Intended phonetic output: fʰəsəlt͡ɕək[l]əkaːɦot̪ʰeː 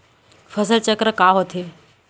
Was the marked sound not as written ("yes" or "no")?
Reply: yes